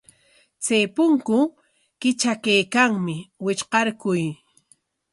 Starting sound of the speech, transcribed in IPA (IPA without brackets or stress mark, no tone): t͡s